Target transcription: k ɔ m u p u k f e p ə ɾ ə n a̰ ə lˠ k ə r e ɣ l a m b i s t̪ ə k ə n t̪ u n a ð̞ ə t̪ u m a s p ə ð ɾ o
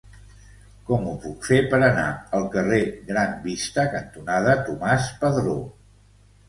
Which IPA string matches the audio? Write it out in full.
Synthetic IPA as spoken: k ɔ m u p u k f e p ə ɾ ə n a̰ ə lˠ k ə r e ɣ ɾ a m b i s t̪ ə k ə n t̪ u n a ð̞ ə t̪ u m a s p ə ð ɾ o